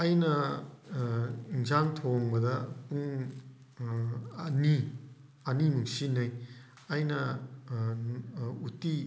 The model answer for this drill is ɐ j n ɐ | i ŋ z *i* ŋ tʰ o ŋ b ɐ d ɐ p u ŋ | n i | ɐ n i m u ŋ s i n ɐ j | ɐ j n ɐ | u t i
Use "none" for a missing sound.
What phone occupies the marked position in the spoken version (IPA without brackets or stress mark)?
a